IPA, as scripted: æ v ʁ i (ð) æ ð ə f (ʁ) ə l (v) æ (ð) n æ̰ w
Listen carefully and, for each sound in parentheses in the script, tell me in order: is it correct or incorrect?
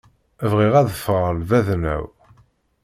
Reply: incorrect, correct, correct, correct

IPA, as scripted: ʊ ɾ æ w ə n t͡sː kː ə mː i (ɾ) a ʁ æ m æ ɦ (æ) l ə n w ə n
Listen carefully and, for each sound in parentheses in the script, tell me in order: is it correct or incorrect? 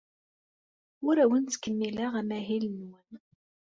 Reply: incorrect, incorrect

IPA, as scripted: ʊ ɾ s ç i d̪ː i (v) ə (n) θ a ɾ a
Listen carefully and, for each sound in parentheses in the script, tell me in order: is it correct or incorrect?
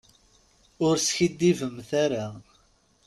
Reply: correct, incorrect

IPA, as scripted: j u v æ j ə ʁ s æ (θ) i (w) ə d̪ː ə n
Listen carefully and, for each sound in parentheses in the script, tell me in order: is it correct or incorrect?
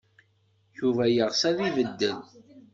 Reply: incorrect, incorrect

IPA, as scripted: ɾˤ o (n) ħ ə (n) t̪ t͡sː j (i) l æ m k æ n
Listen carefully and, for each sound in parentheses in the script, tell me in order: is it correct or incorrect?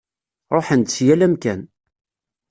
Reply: incorrect, correct, incorrect

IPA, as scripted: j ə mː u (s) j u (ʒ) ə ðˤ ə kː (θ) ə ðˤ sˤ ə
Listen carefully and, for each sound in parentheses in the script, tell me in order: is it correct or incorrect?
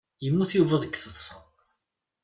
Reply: incorrect, incorrect, correct

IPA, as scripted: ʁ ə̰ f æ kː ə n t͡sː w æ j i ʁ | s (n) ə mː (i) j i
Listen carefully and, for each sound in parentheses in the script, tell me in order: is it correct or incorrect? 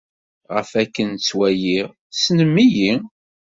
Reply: correct, correct

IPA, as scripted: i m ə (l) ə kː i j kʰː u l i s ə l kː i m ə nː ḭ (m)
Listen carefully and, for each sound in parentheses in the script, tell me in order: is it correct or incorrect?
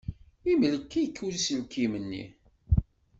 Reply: correct, incorrect

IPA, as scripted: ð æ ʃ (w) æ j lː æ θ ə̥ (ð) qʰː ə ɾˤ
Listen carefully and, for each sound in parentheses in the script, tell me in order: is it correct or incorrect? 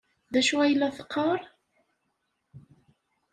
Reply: incorrect, incorrect

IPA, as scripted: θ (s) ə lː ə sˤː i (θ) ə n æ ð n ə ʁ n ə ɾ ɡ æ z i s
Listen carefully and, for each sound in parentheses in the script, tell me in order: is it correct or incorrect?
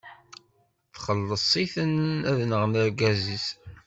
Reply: incorrect, correct

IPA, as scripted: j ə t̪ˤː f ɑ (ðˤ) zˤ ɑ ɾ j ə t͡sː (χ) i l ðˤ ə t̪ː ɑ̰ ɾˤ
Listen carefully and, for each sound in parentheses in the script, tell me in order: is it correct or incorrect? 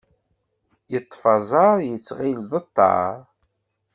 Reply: incorrect, incorrect

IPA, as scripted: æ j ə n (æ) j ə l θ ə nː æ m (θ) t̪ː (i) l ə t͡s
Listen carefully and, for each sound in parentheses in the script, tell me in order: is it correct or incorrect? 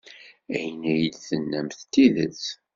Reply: correct, correct, correct

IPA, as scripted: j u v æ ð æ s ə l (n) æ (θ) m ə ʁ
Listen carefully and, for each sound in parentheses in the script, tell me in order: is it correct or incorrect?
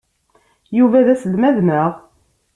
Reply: incorrect, incorrect

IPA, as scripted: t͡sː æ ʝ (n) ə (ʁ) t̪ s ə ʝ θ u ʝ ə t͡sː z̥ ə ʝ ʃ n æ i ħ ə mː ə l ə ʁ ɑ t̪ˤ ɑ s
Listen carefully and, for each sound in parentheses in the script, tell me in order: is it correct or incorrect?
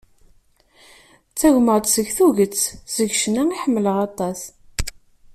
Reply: incorrect, correct

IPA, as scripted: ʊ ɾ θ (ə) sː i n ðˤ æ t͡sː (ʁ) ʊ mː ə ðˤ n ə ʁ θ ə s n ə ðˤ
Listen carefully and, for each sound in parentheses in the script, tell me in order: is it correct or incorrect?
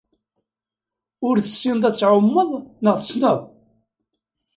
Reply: correct, incorrect

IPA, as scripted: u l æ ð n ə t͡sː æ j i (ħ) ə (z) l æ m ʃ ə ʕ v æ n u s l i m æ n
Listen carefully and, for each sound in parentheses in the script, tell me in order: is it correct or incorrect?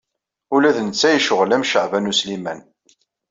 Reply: incorrect, incorrect

